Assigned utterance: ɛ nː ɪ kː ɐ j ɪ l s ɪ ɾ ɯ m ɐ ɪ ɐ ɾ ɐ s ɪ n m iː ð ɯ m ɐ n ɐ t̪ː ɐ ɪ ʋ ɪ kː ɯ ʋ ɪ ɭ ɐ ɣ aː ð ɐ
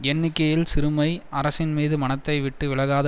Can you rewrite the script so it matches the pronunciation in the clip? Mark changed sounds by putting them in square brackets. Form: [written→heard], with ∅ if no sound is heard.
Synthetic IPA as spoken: ɛ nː ɪ kː ɐ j ɪ l s ɪ ɾ ɯ m ɐ ɪ ɐ ɾ ɐ s ɪ n m iː ð ɯ m ɐ n ɐ t̪ː ɐ ɪ ʋ ɪ [kː→ʈː] ɯ ʋ ɪ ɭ ɐ ɣ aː ð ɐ

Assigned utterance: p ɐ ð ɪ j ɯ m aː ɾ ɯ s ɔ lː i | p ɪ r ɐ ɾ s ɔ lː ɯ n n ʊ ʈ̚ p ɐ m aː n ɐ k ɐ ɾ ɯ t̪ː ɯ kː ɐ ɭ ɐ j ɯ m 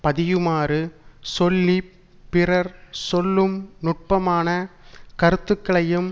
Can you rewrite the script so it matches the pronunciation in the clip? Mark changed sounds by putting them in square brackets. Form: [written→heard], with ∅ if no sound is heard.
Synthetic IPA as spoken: p ɐ ð ɪ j ɯ m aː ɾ ɯ s ɔ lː i | p ɪ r ɐ ɾ s ɔ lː ɯ [n→m] n ʊ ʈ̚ p ɐ m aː n ɐ k ɐ ɾ ɯ t̪ː ɯ kː ɐ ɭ ɐ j ɯ m

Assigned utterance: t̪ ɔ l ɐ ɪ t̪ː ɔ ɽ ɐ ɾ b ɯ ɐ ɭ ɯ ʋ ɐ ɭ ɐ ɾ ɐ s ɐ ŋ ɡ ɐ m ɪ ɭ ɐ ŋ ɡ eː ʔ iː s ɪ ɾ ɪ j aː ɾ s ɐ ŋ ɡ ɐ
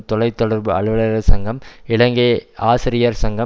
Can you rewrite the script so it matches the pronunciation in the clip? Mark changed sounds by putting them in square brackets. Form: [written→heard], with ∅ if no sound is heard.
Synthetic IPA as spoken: t̪ ɔ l ɐ ɪ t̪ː ɔ ɽ ɐ ɾ b ɯ ɐ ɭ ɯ ʋ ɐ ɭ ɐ ɾ ɐ s ɐ ŋ ɡ ɐ m ɪ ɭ ɐ ŋ ɡ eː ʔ [iː→aː] s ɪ ɾ ɪ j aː ɾ s ɐ ŋ ɡ ɐ

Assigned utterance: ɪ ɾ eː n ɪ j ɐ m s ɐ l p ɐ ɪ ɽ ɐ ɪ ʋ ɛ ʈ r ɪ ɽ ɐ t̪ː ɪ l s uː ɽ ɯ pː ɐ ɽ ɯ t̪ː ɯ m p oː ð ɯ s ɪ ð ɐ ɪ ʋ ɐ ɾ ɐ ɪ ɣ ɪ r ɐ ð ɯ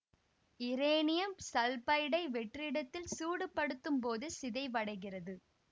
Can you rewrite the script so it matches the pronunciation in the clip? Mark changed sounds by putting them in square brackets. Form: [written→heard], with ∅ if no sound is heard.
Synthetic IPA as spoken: ɪ ɾ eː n ɪ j ɐ m s ɐ l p ɐ ɪ ɽ ɐ ɪ ʋ ɛ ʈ r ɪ ɽ ɐ t̪ː ɪ l s uː ɽ ɯ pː ɐ ɽ ɯ t̪ː ɯ m p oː ð ɯ s ɪ ð ɐ ɪ ʋ ɐ [ɾ→ɽ] ɐ ɪ ɣ ɪ r ɐ ð ɯ

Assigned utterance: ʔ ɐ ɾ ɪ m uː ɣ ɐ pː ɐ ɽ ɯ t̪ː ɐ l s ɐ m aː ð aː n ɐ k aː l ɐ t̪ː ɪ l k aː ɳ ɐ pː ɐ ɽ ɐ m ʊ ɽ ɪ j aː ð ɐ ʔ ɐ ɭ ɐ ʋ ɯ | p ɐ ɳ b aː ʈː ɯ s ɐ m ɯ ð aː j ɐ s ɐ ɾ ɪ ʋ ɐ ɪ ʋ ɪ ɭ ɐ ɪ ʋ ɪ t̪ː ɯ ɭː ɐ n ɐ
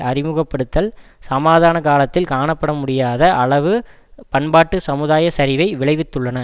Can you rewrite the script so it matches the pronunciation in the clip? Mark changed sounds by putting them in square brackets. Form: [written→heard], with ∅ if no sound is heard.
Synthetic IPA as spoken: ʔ ɐ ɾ ɪ m uː ɣ ɐ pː ɐ ɽ ɯ t̪ː ɐ l s ɐ m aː ð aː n ɐ k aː l ɐ t̪ː ɪ l k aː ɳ ɐ pː ɐ ɽ ɐ m ʊ ɽ ɪ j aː ð ɐ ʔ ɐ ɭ ɐ ʋ ɯ | p ɐ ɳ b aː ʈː ɯ s ɐ m ɯ ð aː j ɐ s ɐ ɾ ɪ ʋ ɐ ɪ ʋ ɪ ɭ ɐ ɪ ʋ ɪ t̪ː ɯ ɭː ɐ n ɐ

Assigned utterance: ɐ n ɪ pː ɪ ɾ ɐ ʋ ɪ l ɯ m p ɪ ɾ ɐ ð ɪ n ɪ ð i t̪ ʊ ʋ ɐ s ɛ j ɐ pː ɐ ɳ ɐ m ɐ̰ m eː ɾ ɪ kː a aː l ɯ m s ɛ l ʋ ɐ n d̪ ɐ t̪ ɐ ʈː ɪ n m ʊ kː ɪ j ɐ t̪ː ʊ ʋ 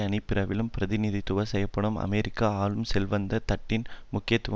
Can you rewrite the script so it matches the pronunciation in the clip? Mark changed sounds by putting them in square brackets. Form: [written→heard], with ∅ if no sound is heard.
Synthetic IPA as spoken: ɐ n ɪ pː ɪ ɾ ɐ ʋ ɪ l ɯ m p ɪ ɾ ɐ ð ɪ n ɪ ð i t̪ ʊ ʋ ɐ s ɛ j ɐ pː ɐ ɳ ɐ m ɐ̰ m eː ɾ ɪ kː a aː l ɯ m s ɛ l ʋ ɐ n d̪ ɐ t̪ ɐ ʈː ɪ n m ʊ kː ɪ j ɐ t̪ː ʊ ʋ

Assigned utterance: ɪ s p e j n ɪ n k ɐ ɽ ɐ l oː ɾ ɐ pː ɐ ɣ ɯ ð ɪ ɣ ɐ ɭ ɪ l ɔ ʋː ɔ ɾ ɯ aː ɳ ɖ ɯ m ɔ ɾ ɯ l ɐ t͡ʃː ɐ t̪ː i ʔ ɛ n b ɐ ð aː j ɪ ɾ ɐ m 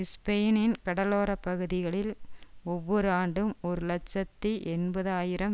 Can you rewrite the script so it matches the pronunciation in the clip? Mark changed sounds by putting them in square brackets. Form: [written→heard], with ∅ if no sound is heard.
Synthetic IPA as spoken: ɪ s p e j n ɪ n k ɐ ɽ ɐ l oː ɾ ɐ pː ɐ ɣ ɯ ð ɪ ɣ ɐ ɭ ɪ l ɔ ʋː ɔ ɾ ɯ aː ɳ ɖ ɯ m ɔ ɾ ɯ l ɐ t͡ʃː ɐ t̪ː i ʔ ɛ n b ɐ ð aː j ɪ ɾ ɐ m

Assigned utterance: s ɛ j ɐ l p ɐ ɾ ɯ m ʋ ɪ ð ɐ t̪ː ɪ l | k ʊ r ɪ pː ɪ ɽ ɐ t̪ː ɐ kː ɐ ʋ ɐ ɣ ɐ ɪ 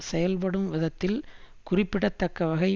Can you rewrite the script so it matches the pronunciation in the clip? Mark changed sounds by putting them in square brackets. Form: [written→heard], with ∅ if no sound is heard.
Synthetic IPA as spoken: s ɛ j ɐ l p ɐ [ɾ→ɽ] ɯ m ʋ ɪ ð ɐ t̪ː ɪ l | k ʊ r ɪ pː ɪ ɽ ɐ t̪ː ɐ kː ɐ ʋ ɐ ɣ ɐ ɪ

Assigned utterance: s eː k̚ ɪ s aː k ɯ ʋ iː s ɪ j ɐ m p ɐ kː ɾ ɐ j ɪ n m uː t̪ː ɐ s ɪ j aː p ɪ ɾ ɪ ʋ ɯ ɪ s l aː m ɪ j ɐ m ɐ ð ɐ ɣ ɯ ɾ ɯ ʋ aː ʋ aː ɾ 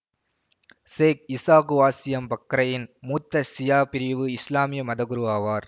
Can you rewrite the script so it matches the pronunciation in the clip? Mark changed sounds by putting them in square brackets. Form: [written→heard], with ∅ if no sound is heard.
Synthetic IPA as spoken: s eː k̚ ɪ s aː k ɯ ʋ [iː→aː] s ɪ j ɐ m p ɐ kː ɾ ɐ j ɪ n m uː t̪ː ɐ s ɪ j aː p ɪ ɾ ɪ ʋ ɯ ɪ s l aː m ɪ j ɐ m ɐ ð ɐ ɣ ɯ ɾ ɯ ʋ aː ʋ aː ɾ

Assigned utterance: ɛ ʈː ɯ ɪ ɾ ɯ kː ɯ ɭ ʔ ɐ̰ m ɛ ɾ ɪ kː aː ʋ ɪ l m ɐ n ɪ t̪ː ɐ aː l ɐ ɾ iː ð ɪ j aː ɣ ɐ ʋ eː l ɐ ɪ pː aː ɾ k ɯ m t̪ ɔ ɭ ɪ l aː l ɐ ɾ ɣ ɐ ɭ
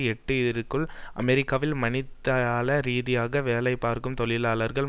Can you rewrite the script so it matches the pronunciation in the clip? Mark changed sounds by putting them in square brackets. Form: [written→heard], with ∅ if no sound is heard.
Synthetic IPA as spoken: ɛ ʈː ɯ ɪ ɾ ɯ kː ɯ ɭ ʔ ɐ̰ m ɛ ɾ ɪ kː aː ʋ ɪ l m ɐ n ɪ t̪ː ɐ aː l ɐ ɾ iː ð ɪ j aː ɣ ɐ ʋ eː l ɐ ɪ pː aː ɾ k ɯ m t̪ ɔ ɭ ɪ l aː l ɐ ɾ ɣ ɐ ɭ

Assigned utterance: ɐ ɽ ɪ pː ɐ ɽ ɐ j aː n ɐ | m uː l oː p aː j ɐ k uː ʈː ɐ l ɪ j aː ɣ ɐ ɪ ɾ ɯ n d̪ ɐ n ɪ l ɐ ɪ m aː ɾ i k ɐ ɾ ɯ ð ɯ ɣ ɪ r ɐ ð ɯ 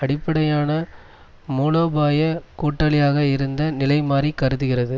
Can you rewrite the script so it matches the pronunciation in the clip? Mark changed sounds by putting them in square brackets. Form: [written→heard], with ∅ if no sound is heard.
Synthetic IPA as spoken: ɐ ɽ ɪ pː ɐ ɽ ɐ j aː n ɐ | m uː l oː [p→b] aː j ɐ k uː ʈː ɐ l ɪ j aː ɣ ɐ ɪ ɾ ɯ n d̪ ɐ n ɪ l ɐ ɪ m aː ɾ i k ɐ ɾ ɯ ð ɯ ɣ ɪ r ɐ ð ɯ

